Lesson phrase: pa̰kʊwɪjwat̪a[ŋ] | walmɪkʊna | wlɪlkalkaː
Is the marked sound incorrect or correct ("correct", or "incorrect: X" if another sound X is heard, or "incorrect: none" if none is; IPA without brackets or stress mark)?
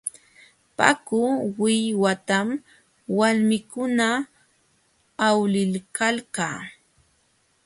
incorrect: m